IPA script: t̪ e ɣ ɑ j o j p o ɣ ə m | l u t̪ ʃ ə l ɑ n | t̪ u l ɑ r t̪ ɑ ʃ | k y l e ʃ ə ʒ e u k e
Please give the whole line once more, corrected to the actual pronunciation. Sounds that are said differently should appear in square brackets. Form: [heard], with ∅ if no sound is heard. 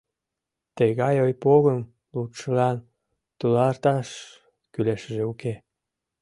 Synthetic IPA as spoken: t̪ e ɣ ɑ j o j p o ɣ ə m | l u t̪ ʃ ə l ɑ n | t̪ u l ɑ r t̪ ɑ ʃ | k y l e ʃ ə ʒ e u k e